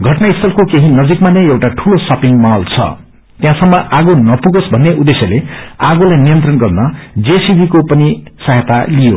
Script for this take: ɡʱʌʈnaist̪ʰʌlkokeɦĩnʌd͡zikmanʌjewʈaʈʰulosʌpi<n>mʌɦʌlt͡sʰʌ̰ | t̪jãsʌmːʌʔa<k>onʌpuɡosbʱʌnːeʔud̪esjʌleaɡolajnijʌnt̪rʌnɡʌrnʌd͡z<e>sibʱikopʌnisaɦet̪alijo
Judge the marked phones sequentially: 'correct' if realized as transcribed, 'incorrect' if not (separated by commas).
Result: incorrect, incorrect, correct